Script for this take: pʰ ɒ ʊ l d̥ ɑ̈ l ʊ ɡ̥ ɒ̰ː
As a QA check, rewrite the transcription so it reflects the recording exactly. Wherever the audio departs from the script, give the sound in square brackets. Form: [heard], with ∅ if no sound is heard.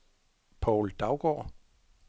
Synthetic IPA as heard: pʰ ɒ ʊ l d̥ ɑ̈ [∅] ʊ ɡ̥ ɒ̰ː